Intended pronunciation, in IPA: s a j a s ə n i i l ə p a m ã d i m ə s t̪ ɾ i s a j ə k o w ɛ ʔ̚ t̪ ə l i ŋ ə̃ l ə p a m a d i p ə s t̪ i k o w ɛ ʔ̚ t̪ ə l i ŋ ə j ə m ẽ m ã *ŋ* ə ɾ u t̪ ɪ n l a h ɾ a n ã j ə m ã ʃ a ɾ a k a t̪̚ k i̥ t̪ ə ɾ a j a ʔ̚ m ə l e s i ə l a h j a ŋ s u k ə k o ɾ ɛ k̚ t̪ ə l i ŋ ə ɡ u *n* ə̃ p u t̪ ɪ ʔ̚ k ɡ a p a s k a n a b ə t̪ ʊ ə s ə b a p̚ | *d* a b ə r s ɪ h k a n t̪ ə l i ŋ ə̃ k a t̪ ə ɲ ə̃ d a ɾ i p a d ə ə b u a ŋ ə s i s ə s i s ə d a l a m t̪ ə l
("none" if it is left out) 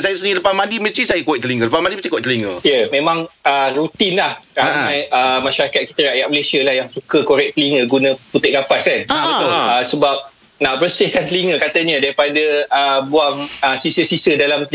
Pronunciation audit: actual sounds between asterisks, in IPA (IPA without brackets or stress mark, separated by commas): ŋ, n, n